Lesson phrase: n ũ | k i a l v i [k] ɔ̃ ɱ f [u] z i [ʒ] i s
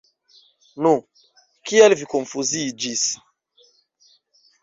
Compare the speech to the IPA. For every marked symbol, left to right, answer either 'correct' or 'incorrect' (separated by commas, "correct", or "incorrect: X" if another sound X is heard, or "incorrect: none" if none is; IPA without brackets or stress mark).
correct, correct, incorrect: d͡ʒ